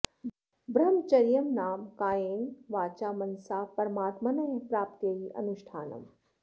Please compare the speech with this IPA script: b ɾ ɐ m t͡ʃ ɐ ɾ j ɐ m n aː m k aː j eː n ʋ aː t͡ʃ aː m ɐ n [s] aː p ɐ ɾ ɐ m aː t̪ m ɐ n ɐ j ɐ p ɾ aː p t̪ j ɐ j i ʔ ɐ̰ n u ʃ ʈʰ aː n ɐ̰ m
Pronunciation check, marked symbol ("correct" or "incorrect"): correct